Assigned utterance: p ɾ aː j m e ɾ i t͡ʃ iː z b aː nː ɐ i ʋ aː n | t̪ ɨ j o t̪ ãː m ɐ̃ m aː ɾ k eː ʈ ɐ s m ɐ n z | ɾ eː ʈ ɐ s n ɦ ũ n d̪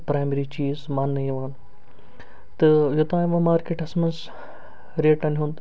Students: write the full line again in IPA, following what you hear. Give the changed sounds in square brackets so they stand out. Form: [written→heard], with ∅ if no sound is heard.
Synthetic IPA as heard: p ɾ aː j m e ɾ i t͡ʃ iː z [b→m] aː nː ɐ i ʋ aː n | t̪ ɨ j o t̪ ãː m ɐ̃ m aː ɾ k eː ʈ ɐ s m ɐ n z | ɾ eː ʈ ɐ [s→∅] n ɦ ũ n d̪